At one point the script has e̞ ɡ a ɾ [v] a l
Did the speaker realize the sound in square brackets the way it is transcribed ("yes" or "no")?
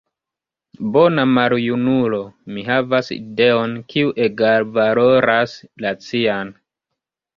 yes